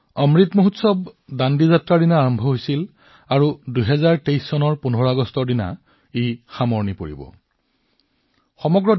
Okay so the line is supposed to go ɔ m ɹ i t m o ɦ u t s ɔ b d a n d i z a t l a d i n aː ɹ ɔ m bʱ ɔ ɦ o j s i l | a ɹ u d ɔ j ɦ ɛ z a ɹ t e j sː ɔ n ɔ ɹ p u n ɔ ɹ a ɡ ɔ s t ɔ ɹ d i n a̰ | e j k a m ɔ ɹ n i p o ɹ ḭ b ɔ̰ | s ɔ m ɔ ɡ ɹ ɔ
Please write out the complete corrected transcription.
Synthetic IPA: ɔ m ɹ i t m o ɦ u t s ɔ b d a n d i z a t ɹ a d i n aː ɹ ɔ m bʱ ɔ ɦ o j s i l | a ɹ u d u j ɦ ɛ z a ɹ t e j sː ɔ n ɔ ɹ p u n ɔ ɹ a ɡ ɔ s t ɔ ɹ d i n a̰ | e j x a m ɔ ɹ n i p o ɹ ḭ b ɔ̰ | x ɔ m ɔ ɡ ɹ ɔ